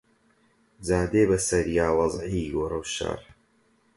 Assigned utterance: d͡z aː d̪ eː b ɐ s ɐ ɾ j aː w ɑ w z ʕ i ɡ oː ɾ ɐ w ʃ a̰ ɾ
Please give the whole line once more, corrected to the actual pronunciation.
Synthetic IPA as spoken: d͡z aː d̪ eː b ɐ s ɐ ɾ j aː w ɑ z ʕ i ɡ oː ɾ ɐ w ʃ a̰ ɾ